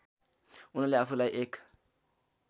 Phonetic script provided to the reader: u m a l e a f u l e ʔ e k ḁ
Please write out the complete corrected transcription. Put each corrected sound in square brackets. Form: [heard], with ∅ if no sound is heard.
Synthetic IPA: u [n] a l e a f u l [a] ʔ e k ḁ